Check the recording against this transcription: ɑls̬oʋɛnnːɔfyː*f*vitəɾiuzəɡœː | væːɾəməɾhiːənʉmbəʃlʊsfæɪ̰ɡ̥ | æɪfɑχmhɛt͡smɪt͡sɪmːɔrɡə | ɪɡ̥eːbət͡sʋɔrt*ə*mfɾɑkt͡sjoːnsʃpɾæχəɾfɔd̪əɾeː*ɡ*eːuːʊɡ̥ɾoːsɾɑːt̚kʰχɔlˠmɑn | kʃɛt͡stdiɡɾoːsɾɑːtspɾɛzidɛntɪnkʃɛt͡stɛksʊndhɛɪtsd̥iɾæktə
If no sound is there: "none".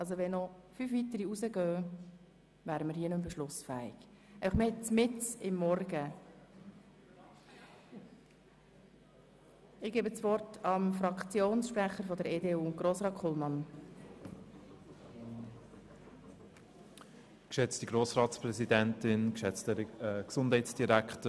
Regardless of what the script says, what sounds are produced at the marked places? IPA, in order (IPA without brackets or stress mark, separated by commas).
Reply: f, ɑ, d